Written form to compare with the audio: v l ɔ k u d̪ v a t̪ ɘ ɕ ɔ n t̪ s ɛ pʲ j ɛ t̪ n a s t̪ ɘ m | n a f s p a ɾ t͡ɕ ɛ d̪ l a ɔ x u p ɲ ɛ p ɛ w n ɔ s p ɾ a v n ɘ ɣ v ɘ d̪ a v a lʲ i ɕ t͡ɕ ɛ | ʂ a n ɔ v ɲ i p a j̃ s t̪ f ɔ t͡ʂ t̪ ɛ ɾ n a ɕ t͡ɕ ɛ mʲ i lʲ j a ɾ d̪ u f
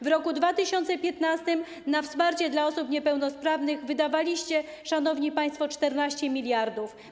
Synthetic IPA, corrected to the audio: v ɾ ɔ k u d̪ v a t̪ ɘ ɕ ɔ n t̪ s ɛ pʲ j ɛ t̪ n a s t̪ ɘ m | n a f s p a ɾ t͡ɕ ɛ d̪ l a ɔ s u p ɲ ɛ p ɛ w n ɔ s p ɾ a v n ɘ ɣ v ɘ d̪ a v a lʲ i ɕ t͡ɕ ɛ | ʂ a n ɔ v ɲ i p a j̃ s t̪ f ɔ t͡ʂ t̪ ɛ ɾ n a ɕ t͡ɕ ɛ mʲ i lʲ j a ɾ d̪ u f